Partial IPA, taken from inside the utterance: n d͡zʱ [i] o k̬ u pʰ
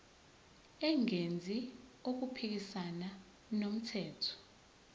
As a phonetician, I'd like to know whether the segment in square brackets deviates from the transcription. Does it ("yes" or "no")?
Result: no